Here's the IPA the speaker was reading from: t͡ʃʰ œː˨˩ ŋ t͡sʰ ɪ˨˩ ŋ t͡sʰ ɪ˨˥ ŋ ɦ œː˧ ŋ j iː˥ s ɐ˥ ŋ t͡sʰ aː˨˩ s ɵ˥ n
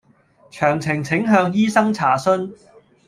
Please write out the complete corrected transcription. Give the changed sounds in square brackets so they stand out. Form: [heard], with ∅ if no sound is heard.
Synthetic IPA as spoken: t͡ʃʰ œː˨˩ ŋ t͡sʰ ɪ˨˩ ŋ t͡sʰ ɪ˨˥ ŋ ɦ œː˧ ŋ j iː˥ s ɐ˥ ŋ t͡sʰ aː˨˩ s ɵ˥ n

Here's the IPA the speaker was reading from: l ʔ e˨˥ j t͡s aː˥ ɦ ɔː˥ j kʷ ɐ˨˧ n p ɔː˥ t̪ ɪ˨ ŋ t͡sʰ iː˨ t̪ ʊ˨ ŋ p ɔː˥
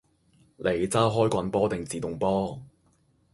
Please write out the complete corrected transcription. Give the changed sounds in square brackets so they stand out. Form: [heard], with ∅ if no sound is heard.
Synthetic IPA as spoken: l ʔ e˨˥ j t͡s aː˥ ɦ ɔː˥ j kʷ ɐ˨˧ n p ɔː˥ t̪ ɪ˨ ŋ [t͡s] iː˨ t̪ ʊ˨ ŋ p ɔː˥

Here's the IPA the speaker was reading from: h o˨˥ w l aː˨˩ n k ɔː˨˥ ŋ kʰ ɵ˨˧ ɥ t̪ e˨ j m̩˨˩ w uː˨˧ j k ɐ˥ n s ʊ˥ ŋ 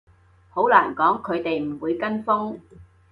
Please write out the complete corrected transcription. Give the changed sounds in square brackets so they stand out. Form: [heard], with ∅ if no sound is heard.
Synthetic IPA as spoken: h o˨˥ w l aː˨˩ n k ɔː˨˥ ŋ kʰ ɵ˨˧ ɥ t̪ e˨ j m̩˨˩ w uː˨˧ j k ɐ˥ n [f] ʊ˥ ŋ

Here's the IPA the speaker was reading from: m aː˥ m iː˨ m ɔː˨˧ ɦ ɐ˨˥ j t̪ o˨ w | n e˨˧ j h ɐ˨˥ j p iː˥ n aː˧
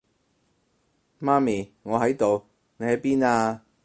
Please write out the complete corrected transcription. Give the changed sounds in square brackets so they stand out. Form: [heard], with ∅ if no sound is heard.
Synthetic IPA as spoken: m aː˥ m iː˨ [ŋ] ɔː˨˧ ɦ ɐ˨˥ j t̪ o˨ w | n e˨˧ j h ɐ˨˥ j p iː˥ n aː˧

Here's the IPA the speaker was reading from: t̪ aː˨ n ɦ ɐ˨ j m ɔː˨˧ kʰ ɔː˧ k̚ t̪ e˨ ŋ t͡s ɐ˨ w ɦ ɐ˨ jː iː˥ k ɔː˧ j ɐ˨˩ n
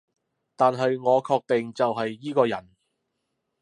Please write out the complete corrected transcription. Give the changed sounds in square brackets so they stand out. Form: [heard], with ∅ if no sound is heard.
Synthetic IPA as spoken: t̪ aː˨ n ɦ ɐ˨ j [ŋ] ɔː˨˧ kʰ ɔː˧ k̚ t̪ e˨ ŋ t͡s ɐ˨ w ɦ ɐ˨ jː iː˥ k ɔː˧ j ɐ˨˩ n

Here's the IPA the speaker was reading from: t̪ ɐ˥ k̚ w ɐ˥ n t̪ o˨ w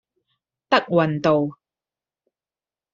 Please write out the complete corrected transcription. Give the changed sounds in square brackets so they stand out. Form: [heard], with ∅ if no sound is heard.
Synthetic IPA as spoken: t̪ ɐ˥ k̚ w [ɐ˨] n t̪ o˨ w

